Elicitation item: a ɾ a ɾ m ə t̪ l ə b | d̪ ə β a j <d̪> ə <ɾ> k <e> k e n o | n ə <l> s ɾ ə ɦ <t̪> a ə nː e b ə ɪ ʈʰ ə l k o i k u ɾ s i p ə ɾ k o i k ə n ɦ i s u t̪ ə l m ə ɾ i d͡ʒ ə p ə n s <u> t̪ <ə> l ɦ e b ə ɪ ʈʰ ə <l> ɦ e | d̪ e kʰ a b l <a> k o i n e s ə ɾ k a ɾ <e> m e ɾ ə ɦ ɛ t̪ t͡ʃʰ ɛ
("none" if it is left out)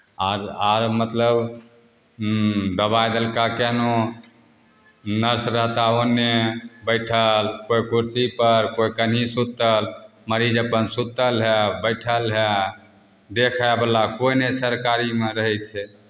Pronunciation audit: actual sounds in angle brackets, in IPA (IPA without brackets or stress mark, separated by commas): d̪, l, a, ɾ, t̪, u, ə, l, a, i